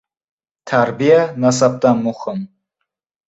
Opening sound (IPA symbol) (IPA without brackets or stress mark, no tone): t̪ʰ